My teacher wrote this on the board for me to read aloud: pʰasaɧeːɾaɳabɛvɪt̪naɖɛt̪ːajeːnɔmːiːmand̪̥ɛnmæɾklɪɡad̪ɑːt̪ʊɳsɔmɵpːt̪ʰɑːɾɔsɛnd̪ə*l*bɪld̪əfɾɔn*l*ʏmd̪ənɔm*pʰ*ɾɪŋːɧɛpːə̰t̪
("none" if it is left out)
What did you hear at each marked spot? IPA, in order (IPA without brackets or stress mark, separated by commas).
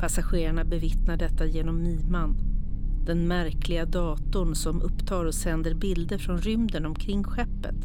ɾ, ɾ, kʰ